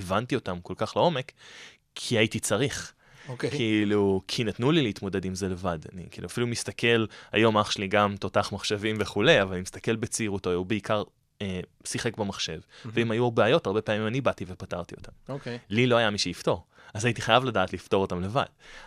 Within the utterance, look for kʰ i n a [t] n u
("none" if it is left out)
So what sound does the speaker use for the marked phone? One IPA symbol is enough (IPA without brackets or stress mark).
t